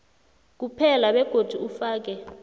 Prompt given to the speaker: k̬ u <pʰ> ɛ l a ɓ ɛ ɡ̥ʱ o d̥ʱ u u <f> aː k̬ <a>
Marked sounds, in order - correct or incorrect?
correct, correct, incorrect

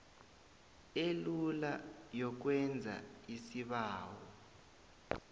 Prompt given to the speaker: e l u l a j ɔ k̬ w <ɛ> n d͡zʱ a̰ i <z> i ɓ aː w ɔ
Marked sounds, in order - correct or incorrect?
correct, incorrect

